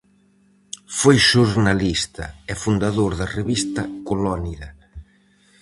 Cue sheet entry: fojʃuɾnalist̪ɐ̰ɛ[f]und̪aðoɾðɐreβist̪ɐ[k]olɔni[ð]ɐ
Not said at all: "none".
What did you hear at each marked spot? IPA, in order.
f, k, ð

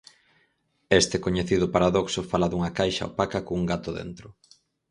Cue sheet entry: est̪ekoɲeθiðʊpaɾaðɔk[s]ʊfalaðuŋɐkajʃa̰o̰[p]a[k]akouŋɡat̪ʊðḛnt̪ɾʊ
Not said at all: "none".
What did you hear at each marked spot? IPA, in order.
s, p, k

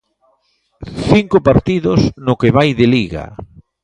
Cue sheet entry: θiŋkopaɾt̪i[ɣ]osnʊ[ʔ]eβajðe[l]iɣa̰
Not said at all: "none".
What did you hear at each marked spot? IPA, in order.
ð, k, l

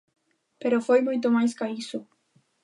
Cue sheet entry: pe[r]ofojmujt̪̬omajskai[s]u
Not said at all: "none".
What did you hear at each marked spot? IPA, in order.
ɾ, s

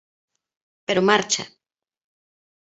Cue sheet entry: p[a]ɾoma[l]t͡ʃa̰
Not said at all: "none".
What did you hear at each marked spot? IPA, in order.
e, ɾ

